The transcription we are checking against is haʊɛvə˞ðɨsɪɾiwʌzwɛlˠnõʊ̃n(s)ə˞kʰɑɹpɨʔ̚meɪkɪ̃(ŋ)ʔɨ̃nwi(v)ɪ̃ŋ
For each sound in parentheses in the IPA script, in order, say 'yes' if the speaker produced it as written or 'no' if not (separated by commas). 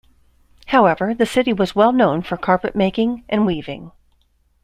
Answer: no, yes, yes